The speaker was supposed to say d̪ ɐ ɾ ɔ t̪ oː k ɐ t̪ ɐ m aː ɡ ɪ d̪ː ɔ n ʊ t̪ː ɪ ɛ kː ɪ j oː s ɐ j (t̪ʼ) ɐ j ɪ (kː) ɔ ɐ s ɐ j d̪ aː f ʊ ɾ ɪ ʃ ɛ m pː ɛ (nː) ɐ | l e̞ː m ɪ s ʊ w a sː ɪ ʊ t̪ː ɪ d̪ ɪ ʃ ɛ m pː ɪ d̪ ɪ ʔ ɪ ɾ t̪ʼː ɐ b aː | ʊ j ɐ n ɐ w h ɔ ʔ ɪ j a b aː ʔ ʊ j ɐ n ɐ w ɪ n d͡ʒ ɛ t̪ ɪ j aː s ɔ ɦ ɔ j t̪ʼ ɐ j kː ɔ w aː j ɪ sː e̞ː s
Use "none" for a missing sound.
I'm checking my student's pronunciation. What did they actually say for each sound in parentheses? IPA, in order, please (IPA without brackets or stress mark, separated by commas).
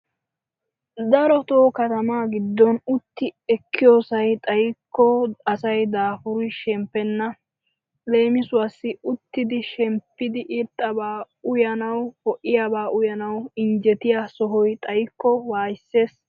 t̪ʼ, kː, nː